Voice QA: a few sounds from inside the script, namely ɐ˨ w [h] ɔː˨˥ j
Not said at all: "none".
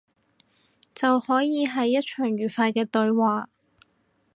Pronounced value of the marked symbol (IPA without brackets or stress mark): h